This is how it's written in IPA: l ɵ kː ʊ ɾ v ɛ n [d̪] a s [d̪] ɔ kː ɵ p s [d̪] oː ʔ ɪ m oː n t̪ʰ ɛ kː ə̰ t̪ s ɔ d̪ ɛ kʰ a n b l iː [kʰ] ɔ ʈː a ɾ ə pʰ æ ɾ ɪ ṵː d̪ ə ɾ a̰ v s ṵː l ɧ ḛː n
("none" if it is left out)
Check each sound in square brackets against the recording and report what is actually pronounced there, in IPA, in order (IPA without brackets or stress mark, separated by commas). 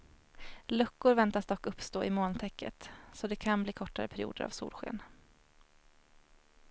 t̪, d̪, t̪, kʰ